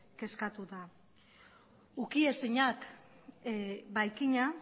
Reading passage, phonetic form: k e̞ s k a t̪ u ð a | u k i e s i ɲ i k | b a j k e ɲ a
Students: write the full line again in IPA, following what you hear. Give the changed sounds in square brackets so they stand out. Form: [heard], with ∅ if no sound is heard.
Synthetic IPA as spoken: k e̞ s k a t̪ u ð a | u k i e s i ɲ [a] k | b a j k [i] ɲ a